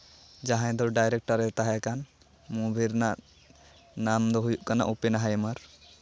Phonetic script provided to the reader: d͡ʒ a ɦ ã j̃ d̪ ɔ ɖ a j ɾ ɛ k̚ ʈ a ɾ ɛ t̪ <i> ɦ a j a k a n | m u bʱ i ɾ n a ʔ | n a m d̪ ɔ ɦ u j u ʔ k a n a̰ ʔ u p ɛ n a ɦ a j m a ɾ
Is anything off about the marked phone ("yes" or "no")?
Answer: yes